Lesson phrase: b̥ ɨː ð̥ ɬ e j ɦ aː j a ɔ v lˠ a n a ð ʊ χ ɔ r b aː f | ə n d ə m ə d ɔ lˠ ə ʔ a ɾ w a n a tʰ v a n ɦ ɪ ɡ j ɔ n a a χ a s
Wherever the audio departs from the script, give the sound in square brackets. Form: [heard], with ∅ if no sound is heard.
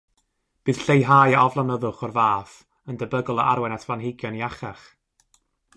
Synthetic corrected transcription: b̥ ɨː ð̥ ɬ e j ɦ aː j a ɔ v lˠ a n [ə] ð ʊ χ ɔ r [v] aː f | ə n d ə [b] ə [ɡ] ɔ lˠ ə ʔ a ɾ w [ɛ] n a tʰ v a n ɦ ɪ ɡ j ɔ n [i] a χ a [χ]